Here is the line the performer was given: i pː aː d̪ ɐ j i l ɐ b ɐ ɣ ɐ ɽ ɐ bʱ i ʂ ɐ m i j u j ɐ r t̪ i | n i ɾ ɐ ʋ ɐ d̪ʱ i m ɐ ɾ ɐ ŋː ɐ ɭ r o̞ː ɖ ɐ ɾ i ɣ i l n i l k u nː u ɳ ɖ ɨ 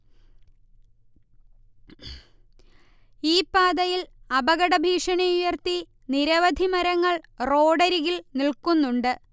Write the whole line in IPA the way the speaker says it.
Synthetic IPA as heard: iː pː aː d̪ ɐ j i l ɐ b ɐ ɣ ɐ ɽ ɐ bʱ iː ʂ ɐ ɳ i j u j ɐ r t̪ i | n i ɾ ɐ ʋ ɐ d̪ʱ i m ɐ ɾ ɐ ŋː ɐ ɭ r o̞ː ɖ ɐ ɾ i ɣ i l n i l k u nː u ɳ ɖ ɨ